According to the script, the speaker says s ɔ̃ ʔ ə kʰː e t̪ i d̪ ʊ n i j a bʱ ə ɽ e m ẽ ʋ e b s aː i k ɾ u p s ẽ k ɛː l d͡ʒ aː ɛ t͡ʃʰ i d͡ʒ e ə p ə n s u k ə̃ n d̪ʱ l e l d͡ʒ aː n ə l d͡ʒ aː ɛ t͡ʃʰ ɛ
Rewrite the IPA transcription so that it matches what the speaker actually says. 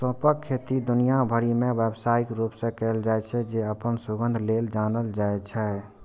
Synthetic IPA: s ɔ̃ p ə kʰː e t̪ i d̪ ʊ n i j a bʱ ə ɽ i m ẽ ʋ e b s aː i k ɾ u p s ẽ k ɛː l d͡ʒ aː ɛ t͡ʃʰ ɛ d͡ʒ e ə p ə n s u ɡ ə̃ n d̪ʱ l e l d͡ʒ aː n ə l d͡ʒ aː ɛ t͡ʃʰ ɛ